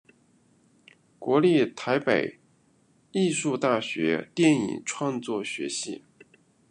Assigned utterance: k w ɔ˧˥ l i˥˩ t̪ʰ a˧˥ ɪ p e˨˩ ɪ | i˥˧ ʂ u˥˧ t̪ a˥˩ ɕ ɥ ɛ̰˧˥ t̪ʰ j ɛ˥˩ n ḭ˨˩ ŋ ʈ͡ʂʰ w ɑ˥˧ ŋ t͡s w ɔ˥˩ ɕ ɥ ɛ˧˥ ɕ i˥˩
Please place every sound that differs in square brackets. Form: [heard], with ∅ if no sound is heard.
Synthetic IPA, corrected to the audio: k w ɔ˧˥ l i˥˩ t̪ʰ a˧˥ ɪ p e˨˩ ɪ | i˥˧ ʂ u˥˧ t̪ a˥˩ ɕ ɥ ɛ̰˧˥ [t̪] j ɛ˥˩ n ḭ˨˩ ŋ ʈ͡ʂʰ w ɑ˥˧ ŋ t͡s w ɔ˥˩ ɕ ɥ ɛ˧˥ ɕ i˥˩